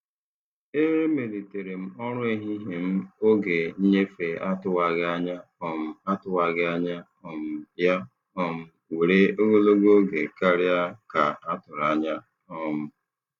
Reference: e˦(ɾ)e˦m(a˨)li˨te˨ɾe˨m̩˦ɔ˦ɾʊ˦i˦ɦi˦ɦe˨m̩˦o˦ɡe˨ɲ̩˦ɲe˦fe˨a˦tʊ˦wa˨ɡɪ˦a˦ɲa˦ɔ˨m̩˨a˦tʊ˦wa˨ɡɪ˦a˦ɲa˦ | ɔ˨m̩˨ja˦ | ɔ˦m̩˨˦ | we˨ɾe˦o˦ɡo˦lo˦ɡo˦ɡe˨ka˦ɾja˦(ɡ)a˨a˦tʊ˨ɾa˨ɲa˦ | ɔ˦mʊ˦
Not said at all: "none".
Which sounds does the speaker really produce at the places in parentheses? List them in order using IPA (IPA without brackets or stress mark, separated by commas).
ɾ, e˨, k